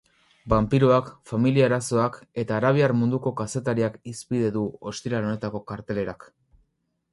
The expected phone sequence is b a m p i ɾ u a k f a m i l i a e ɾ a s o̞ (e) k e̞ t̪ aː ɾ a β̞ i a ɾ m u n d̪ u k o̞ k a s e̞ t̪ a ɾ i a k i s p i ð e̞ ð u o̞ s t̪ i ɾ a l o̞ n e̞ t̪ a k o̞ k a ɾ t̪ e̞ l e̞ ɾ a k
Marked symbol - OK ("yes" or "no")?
no